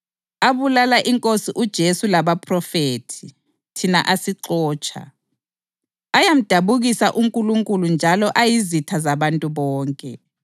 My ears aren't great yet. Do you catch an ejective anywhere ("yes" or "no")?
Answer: yes